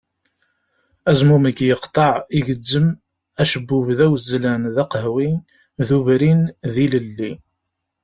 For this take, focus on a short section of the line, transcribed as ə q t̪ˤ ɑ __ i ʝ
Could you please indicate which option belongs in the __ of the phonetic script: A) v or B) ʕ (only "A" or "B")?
B